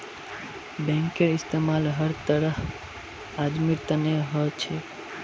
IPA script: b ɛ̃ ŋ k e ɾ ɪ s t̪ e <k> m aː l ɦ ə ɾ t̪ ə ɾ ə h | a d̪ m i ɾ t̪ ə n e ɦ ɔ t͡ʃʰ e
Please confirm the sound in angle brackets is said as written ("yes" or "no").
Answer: no